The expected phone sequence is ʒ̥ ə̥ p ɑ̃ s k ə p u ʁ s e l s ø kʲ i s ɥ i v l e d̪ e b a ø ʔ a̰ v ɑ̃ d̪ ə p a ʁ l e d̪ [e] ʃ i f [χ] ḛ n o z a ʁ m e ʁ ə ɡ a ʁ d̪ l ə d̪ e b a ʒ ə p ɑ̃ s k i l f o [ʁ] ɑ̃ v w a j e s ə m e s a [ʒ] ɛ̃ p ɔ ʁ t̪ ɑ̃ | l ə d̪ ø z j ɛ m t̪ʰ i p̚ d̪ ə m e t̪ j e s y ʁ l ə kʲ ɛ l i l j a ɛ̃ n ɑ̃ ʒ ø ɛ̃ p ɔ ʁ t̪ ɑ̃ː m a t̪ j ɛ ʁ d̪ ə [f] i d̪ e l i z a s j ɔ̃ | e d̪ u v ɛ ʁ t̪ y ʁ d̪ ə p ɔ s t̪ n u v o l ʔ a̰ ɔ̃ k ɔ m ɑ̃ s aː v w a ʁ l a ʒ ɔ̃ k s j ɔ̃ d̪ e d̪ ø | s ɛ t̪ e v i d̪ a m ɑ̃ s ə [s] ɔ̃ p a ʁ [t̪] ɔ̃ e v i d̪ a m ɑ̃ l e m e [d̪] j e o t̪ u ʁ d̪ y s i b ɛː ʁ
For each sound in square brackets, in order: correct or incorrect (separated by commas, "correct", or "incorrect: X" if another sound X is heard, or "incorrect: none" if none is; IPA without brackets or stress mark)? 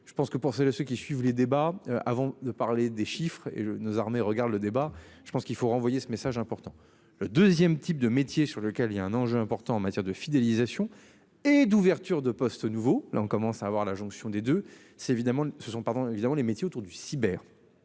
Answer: correct, correct, correct, correct, correct, correct, incorrect: d̪, incorrect: t̪